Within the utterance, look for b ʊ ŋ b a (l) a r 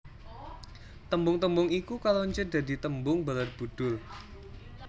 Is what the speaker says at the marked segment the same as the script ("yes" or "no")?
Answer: yes